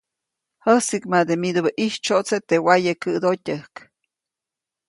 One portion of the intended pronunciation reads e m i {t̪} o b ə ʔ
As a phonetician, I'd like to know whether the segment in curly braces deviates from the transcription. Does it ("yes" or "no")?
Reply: yes